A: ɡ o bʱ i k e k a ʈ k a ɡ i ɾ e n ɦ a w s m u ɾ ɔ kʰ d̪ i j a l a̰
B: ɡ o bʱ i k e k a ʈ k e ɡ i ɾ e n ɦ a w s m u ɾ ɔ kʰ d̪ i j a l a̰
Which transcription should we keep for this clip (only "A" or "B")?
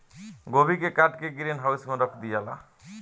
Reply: B